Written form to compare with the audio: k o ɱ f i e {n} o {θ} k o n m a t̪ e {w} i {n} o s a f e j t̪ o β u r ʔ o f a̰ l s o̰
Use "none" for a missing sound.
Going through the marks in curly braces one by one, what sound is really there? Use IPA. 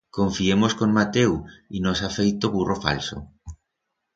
m, s, w, n

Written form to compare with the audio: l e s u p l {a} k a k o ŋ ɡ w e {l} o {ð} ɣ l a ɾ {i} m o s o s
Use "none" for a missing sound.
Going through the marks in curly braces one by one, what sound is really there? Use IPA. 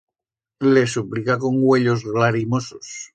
i, ʎ, z, i

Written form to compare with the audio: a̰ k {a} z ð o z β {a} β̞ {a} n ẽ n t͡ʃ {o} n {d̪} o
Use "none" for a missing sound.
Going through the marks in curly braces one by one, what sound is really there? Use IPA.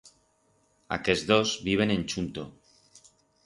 e, i, e, u, t̪

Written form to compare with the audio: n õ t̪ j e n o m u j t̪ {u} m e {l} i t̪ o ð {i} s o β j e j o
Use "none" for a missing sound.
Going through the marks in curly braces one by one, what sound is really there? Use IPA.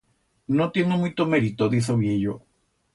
o, ɾ, i

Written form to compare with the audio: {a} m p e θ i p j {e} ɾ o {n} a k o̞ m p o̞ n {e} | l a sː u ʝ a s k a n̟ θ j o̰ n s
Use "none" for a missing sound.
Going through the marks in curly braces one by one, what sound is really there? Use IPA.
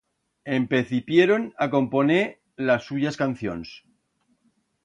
e, e, n, e

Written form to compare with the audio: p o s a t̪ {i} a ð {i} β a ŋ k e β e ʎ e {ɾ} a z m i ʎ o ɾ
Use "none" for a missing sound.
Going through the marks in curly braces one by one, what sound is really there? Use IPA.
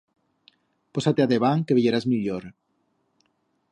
e, e, ɾ

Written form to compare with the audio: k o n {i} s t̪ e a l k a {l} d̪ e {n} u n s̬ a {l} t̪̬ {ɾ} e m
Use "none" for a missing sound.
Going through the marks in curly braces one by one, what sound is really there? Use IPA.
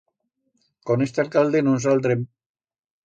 e, l, n, l, ɾ

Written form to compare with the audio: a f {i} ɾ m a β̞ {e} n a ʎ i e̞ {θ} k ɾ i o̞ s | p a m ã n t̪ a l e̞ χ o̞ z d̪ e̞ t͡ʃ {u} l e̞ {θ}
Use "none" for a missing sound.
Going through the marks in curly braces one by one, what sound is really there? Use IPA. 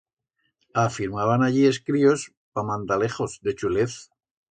i, a, s, u, θ

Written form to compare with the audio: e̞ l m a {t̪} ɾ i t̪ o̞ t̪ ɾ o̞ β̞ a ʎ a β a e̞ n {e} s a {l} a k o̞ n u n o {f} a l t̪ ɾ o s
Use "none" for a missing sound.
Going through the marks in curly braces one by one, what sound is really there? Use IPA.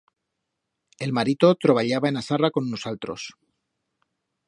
none, a, r, s

